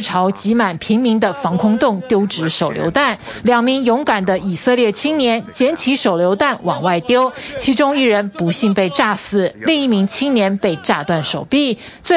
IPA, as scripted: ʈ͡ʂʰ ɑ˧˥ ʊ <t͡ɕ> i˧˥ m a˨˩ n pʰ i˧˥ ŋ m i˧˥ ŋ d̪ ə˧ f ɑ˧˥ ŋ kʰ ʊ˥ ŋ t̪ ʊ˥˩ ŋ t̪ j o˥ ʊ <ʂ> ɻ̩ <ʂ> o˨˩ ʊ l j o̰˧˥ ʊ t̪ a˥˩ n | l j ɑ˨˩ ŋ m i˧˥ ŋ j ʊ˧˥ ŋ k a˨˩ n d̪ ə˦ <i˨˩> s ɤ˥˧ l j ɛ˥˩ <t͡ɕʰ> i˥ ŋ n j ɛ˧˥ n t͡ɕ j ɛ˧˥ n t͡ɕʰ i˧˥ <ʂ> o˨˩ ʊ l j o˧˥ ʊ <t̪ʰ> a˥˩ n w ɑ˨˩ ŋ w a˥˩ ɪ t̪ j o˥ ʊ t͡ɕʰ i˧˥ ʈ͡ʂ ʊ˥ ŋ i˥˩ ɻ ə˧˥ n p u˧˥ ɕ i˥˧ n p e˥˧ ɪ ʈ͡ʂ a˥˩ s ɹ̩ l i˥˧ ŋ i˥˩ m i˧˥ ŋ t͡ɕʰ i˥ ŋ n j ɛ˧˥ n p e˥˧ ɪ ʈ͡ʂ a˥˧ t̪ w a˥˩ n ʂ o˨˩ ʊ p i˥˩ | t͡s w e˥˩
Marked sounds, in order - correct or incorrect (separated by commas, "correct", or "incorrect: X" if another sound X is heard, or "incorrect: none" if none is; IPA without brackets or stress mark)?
correct, incorrect: ʈ͡ʂ, correct, correct, correct, correct, incorrect: t̪